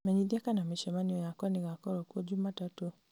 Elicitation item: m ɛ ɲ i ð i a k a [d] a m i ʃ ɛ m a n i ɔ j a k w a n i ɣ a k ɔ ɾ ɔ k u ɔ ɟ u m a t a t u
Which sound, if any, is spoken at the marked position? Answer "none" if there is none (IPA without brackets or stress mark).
n